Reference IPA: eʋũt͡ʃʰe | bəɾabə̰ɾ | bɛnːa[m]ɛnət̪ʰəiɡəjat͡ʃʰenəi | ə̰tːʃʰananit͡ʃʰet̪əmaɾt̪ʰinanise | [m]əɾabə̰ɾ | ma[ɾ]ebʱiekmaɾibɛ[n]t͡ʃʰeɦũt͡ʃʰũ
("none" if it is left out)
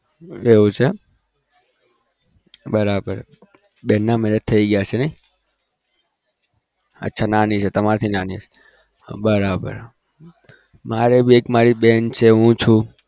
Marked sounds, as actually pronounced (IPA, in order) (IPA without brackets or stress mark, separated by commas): m, b, ɾ, n